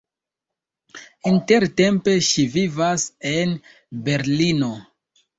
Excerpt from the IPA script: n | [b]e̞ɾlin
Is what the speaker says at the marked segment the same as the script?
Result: yes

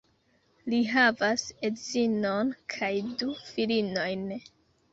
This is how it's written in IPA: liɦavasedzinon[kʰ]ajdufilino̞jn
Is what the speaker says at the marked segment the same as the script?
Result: yes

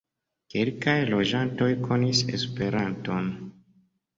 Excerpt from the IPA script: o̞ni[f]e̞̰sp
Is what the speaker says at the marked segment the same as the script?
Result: no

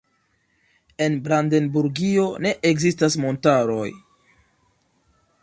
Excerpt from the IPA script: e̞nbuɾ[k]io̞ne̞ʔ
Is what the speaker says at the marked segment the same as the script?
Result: no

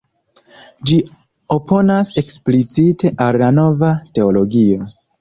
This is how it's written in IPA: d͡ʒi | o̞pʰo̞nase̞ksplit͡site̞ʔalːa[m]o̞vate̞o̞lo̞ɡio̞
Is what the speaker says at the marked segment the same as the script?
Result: no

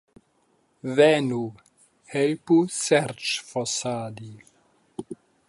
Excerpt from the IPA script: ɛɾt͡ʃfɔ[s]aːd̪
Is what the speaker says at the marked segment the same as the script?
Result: yes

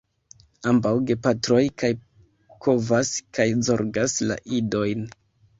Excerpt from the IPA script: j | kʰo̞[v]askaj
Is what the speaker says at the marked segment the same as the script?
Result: yes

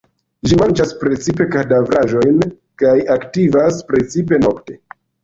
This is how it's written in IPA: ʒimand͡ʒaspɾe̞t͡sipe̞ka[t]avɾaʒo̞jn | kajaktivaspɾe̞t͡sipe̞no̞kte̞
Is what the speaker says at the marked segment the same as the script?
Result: no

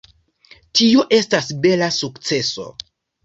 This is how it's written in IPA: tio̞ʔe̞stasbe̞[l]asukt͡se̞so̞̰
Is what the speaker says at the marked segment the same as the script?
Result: yes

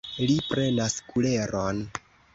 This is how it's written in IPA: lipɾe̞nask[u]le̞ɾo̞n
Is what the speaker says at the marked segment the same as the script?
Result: yes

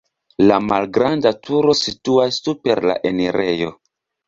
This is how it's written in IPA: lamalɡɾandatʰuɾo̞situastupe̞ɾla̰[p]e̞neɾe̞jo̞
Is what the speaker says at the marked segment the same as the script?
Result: no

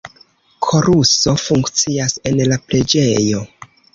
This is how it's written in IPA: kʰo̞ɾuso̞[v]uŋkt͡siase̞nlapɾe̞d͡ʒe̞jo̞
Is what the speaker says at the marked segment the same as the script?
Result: no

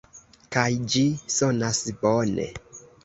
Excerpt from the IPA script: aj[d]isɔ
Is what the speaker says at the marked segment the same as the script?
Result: no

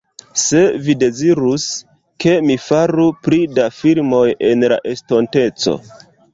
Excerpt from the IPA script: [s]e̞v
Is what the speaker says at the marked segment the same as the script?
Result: yes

